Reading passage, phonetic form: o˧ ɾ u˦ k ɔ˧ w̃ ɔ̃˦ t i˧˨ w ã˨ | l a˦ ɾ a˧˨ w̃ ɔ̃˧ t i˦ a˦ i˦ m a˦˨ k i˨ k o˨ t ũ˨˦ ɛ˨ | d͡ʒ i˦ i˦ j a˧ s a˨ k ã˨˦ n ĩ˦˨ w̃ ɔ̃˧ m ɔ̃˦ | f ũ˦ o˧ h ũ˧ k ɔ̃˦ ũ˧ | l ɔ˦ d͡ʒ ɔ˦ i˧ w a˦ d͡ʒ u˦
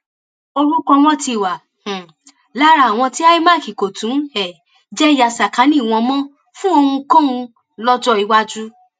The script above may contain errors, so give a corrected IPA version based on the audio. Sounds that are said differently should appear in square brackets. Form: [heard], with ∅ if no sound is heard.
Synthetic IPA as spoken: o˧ ɾ u˦ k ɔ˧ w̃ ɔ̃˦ t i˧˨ w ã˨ | l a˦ ɾ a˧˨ w̃ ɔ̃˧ t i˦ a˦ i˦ m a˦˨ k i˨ k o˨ t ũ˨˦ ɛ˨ | d͡ʒ [ɛ˦] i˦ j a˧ s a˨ k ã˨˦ n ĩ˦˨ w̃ ɔ̃˧ m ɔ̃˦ | f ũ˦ o˧ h ũ˧ k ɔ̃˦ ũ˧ | l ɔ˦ d͡ʒ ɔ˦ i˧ w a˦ d͡ʒ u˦